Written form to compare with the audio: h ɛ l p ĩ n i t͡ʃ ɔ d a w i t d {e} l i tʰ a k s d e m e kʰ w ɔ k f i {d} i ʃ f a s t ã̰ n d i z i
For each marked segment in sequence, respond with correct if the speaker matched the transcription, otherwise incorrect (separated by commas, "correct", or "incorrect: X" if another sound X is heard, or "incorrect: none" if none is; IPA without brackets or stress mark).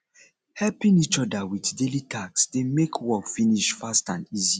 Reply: correct, incorrect: n